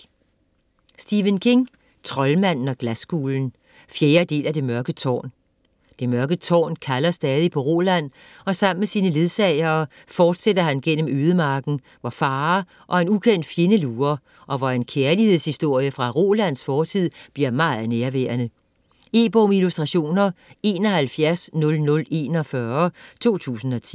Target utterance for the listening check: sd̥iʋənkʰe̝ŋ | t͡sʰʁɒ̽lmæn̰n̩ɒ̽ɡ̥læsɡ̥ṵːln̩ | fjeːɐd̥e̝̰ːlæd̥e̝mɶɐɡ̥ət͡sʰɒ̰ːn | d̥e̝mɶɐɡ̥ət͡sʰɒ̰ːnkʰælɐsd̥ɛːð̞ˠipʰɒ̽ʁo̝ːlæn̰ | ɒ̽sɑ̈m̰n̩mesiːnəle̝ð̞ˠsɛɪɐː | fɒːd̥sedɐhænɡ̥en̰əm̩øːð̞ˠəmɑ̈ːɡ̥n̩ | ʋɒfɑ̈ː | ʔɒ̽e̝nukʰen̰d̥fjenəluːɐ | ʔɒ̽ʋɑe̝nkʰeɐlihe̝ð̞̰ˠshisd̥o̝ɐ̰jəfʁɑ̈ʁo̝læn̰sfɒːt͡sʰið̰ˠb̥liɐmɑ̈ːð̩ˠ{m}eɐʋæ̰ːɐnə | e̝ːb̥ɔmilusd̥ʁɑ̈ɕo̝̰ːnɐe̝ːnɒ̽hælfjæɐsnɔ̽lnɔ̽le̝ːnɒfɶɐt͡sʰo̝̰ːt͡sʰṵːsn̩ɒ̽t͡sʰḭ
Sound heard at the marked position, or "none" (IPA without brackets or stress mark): n